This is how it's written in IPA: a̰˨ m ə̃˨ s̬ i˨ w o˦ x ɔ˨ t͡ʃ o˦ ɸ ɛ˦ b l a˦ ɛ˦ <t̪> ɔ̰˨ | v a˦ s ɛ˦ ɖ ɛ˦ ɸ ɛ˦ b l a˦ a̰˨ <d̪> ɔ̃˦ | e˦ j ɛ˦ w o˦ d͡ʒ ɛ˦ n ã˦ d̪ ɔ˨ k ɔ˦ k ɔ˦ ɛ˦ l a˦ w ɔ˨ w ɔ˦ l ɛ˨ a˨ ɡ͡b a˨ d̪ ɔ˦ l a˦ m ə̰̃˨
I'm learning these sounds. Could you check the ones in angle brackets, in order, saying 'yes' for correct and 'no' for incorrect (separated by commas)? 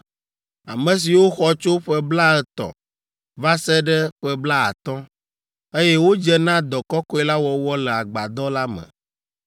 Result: yes, no